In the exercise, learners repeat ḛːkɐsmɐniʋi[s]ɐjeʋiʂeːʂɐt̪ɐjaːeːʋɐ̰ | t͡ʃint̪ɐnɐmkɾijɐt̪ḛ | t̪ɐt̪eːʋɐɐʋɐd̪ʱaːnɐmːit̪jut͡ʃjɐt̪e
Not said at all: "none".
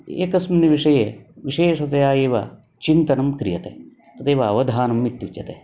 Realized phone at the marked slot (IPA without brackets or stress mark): ʂ